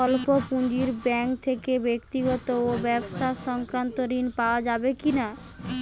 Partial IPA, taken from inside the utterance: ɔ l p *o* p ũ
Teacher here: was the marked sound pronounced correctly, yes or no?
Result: yes